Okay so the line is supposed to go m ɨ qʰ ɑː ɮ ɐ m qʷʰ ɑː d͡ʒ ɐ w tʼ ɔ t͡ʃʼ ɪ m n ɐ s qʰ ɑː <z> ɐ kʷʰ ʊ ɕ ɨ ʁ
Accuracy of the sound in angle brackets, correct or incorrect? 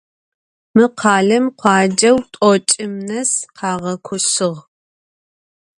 incorrect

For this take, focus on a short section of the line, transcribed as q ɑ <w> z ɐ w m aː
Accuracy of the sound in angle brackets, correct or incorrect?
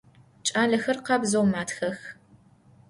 incorrect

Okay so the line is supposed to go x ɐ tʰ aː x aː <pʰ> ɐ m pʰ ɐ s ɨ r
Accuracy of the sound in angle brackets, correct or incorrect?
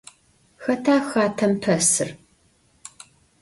incorrect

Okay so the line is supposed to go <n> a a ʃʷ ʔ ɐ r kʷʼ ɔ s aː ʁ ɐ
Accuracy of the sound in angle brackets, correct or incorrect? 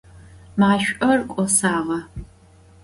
incorrect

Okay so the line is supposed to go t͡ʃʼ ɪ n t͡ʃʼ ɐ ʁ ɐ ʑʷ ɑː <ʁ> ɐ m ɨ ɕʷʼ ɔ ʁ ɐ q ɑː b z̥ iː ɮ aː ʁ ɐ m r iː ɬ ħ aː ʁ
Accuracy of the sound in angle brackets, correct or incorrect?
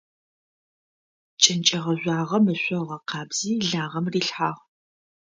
correct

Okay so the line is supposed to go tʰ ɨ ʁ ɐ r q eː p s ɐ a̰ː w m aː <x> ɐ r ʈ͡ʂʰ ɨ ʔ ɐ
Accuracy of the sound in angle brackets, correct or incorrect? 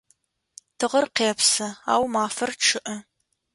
incorrect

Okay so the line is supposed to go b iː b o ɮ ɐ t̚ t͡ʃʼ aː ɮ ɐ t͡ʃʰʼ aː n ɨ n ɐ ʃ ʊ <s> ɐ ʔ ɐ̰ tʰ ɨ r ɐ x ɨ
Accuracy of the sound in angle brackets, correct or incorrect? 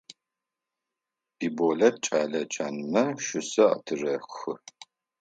correct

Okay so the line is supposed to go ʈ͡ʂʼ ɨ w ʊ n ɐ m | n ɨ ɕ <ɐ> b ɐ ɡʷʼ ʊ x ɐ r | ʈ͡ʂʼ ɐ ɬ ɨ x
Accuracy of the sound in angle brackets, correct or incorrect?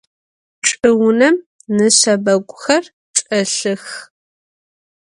correct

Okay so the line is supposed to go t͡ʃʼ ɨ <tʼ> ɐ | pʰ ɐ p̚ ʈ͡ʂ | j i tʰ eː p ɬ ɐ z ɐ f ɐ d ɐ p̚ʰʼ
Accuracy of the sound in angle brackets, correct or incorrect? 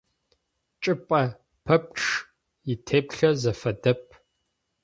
incorrect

